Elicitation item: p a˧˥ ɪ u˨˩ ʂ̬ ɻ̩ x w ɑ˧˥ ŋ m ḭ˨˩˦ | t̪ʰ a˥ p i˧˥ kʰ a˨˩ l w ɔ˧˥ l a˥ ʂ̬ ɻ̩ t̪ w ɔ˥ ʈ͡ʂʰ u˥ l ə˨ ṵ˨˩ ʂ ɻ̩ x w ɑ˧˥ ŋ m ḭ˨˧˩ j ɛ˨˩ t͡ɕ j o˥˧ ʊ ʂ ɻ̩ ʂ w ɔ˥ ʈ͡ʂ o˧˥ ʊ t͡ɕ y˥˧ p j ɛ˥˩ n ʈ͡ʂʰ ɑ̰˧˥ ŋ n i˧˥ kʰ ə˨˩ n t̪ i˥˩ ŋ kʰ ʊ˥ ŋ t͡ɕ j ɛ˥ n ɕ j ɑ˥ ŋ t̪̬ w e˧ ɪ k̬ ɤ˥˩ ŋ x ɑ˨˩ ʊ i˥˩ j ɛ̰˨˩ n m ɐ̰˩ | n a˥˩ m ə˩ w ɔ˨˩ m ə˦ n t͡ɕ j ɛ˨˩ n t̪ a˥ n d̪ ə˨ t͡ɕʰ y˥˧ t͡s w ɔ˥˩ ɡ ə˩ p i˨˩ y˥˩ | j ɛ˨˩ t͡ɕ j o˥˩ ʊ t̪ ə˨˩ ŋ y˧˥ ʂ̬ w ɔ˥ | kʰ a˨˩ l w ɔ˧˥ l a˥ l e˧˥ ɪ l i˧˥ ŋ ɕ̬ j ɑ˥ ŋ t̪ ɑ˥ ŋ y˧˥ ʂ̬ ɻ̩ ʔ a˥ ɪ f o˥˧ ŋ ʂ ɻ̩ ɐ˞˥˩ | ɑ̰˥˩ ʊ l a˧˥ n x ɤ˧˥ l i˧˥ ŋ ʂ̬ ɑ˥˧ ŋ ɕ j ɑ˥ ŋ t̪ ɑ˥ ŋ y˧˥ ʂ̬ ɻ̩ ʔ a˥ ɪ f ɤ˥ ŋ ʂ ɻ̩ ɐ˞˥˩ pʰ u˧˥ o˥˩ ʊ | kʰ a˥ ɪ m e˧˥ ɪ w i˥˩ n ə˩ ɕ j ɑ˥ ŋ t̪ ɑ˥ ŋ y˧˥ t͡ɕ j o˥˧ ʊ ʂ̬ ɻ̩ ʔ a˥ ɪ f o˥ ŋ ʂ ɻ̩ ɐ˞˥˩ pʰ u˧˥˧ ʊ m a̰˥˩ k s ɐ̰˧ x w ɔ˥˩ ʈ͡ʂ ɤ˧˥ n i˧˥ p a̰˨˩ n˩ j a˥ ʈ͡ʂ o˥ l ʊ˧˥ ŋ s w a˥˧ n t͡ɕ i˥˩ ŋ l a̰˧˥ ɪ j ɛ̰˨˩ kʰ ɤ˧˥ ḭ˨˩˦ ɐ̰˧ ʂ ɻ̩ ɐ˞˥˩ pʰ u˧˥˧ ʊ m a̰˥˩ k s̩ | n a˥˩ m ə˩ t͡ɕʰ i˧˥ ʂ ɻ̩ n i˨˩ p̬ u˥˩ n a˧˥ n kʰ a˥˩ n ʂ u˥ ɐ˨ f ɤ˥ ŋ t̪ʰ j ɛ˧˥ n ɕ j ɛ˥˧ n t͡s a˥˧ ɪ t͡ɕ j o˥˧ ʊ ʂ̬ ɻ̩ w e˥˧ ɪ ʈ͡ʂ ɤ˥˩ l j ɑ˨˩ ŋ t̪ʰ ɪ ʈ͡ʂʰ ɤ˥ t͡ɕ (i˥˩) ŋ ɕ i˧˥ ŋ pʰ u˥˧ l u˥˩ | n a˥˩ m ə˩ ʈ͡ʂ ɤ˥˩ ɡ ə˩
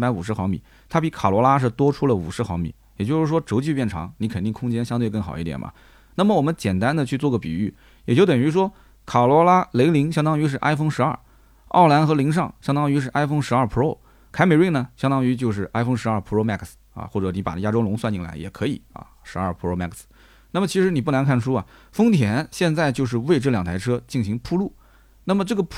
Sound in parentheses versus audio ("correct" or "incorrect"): correct